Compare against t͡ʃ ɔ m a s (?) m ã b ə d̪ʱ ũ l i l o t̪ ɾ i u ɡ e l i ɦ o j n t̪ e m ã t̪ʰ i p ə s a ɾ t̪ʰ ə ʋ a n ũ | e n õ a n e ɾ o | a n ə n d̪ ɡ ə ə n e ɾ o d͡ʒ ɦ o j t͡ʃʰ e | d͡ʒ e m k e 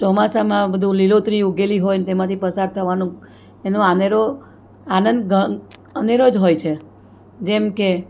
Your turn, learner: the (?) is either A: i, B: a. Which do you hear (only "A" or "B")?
B